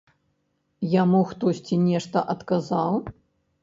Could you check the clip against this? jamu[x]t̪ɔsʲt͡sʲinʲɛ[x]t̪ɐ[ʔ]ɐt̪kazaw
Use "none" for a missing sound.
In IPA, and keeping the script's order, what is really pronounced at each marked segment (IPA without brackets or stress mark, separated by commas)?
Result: x, ʂ, ʔ